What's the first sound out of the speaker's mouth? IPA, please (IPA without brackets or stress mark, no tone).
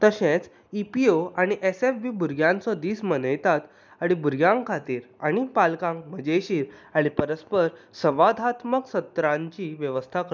t̪